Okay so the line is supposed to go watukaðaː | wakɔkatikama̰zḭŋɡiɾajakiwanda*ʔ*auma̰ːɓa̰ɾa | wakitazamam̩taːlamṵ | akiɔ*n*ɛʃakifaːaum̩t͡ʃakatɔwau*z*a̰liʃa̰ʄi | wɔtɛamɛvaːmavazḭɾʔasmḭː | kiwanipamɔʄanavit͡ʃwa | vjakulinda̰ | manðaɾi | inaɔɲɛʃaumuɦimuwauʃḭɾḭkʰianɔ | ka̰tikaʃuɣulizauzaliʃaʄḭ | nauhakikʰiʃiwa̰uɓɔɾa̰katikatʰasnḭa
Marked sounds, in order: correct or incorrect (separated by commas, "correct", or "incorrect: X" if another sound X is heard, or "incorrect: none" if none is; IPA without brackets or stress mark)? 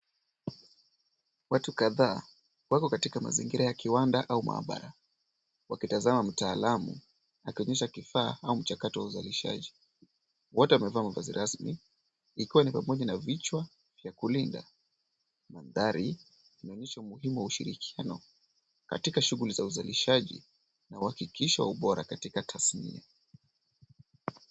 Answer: correct, incorrect: ɲ, correct